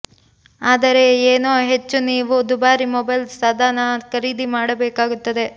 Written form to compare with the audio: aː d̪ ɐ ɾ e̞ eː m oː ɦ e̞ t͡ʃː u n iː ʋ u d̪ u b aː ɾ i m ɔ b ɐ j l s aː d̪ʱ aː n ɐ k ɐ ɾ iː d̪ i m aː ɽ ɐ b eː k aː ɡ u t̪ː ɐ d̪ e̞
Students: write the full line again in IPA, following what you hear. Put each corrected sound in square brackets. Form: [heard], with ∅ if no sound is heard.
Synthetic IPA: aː d̪ ɐ ɾ e̞ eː [n] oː ɦ e̞ t͡ʃː u n iː ʋ u d̪ u b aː ɾ i m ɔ b ɐ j l s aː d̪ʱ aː n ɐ k ɐ ɾ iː d̪ i m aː ɽ ɐ b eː k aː ɡ u t̪ː ɐ d̪ e̞